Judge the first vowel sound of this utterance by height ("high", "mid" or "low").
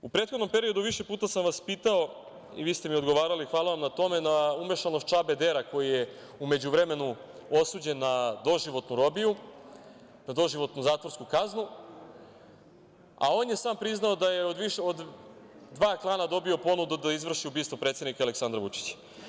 high